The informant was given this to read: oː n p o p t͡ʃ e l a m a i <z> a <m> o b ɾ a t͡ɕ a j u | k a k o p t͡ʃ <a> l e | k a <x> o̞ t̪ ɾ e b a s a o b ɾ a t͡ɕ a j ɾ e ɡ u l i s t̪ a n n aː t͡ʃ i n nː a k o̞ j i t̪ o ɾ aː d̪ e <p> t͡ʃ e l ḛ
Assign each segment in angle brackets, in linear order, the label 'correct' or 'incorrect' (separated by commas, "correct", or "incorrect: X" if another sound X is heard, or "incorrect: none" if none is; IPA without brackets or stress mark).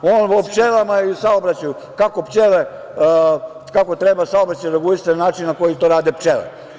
incorrect: s, incorrect: none, incorrect: e, incorrect: k, correct